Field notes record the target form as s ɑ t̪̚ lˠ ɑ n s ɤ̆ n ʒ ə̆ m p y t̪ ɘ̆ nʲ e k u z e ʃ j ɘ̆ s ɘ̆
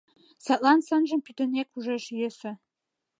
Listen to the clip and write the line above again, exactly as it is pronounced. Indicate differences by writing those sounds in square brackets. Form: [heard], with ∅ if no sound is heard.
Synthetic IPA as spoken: s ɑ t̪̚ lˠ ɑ n s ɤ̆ n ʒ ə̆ m p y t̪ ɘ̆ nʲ e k u [ʒ] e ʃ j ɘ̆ s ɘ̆